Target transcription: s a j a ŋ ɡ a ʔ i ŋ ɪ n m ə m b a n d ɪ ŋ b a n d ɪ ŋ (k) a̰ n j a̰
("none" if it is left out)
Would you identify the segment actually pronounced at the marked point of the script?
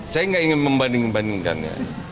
k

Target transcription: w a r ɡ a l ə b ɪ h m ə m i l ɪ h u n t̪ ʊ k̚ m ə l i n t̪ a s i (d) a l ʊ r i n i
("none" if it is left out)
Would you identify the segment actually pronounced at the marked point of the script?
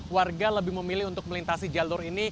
d͡ʒ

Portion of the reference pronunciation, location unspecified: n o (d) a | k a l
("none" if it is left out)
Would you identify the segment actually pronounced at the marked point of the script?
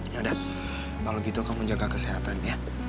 d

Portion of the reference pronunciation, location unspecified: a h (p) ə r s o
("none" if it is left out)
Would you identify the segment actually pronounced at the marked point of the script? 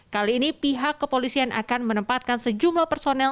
p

